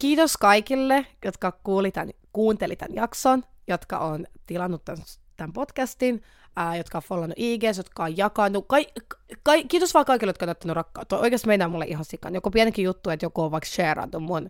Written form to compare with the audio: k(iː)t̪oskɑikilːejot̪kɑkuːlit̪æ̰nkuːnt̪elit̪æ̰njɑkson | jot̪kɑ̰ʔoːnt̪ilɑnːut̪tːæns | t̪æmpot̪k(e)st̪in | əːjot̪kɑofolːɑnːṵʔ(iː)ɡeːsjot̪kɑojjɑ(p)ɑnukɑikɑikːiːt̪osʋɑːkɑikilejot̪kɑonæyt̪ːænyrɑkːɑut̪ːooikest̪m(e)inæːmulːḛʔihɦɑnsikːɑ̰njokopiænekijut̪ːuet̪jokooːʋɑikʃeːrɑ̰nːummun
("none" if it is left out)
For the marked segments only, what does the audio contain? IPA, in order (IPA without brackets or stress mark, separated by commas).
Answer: iː, æ, iː, k, e